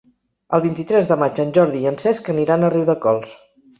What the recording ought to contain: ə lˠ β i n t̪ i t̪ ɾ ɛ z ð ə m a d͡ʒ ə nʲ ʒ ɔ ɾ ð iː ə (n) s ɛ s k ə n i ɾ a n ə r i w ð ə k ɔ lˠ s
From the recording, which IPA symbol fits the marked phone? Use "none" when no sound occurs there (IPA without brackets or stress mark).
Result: n